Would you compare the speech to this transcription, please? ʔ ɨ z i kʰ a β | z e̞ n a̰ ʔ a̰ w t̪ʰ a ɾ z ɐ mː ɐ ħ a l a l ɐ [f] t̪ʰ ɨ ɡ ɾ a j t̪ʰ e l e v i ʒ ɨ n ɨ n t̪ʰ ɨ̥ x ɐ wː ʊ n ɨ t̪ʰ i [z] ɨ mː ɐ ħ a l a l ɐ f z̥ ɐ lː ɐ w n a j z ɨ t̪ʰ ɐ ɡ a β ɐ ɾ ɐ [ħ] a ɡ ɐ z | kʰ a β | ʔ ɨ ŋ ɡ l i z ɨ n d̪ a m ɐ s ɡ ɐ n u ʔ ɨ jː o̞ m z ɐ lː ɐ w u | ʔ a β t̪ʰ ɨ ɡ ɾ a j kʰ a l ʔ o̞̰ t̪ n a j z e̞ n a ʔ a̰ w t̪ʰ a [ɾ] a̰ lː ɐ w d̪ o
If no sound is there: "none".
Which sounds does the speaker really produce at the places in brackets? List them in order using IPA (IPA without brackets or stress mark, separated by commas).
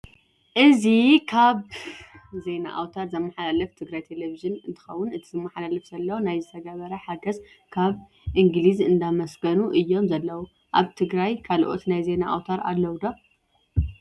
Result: f, z, ħ, ɾ